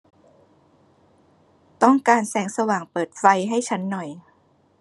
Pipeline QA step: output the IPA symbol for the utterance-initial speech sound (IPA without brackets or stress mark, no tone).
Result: t̪